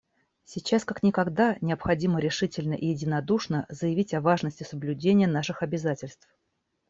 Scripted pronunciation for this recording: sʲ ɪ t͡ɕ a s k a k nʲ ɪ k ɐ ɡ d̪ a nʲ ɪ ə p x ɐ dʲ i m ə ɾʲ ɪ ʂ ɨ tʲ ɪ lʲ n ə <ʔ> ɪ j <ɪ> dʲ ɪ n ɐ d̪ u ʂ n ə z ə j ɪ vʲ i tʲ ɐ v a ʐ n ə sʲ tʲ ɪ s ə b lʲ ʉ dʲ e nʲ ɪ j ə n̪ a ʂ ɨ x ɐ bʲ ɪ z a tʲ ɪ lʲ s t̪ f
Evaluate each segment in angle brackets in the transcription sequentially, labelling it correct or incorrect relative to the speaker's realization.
correct, correct

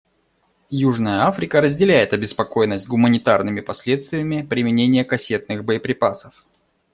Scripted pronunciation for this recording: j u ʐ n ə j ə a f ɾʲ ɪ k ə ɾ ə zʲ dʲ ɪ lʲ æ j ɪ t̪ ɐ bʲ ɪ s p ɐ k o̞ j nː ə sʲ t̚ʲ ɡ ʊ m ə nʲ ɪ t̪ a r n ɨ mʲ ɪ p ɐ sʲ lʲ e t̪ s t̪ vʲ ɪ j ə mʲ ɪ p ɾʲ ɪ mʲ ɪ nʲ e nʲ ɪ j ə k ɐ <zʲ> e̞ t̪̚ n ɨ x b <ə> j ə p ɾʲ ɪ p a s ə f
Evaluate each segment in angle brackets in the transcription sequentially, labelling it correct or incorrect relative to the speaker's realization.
incorrect, correct

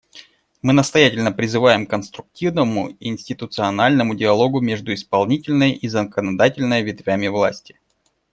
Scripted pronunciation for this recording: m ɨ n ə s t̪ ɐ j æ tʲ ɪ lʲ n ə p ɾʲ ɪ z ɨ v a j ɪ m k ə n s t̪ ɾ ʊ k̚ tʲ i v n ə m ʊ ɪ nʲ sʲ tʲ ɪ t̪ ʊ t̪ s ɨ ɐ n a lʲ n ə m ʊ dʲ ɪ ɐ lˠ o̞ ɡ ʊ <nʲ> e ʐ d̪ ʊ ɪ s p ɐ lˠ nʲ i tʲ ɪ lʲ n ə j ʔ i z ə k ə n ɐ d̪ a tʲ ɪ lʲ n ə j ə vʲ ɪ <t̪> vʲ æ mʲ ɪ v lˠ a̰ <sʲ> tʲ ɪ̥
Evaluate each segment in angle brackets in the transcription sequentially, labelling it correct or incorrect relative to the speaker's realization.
incorrect, correct, correct

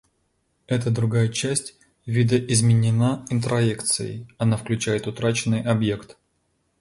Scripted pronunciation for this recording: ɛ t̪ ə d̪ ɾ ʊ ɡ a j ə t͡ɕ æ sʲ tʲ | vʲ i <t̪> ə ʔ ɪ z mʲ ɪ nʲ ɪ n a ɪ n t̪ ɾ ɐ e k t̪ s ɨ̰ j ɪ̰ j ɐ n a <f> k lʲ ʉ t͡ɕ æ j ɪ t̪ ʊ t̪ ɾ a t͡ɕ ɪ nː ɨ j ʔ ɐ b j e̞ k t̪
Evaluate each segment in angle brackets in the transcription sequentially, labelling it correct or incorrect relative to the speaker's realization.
incorrect, correct

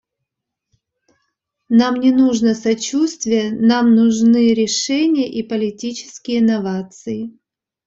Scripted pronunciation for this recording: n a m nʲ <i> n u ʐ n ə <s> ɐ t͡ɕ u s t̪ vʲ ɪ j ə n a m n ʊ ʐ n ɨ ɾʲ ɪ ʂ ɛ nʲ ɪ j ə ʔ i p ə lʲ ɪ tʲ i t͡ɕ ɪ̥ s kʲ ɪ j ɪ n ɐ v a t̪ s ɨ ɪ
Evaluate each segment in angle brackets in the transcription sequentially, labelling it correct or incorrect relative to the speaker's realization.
incorrect, correct

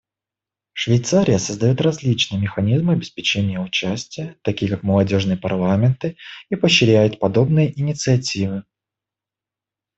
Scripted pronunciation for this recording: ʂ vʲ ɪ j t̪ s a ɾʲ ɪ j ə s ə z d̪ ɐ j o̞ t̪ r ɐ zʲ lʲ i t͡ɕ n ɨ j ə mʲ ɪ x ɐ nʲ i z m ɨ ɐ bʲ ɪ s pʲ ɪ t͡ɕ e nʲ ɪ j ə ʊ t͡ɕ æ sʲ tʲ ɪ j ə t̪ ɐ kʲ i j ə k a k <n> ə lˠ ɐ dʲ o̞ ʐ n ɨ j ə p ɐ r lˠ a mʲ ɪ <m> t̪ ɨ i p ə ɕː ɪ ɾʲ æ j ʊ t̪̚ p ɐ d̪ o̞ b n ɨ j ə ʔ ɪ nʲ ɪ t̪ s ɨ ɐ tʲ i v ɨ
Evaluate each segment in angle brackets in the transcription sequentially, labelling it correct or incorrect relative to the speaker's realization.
incorrect, incorrect

